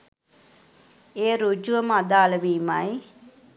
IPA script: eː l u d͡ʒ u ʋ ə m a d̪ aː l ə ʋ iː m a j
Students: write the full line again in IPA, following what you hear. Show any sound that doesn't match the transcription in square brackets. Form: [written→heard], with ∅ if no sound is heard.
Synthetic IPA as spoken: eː [l→ɾ] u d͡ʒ u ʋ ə m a d̪ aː l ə ʋ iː m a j